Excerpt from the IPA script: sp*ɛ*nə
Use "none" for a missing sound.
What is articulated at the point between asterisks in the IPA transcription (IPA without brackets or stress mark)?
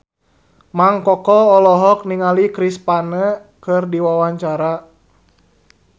a